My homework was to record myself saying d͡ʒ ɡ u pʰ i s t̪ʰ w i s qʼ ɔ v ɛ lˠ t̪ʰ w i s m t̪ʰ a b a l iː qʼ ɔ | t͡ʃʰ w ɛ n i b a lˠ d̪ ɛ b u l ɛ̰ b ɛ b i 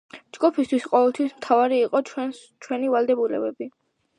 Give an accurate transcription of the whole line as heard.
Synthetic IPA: d͡ʒ ɡ u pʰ i s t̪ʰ w i s qʼ ɔ v ɛ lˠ t̪ʰ w i s m t̪ʰ a v a ɾ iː qʼ ɔ | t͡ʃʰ w ɛ n i v a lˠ d̪ ɛ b u l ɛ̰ b ɛ b i